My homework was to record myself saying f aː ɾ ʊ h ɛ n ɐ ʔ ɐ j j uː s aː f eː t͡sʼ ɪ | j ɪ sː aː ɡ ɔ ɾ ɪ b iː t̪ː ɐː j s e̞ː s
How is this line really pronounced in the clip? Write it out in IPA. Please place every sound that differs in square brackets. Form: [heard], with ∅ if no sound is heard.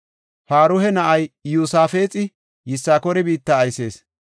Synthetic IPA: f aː ɾ ʊ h ɛ n ɐ ʔ ɐ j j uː s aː f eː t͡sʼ ɪ | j ɪ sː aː [k] ɔ ɾ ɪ b iː t̪ː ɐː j s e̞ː s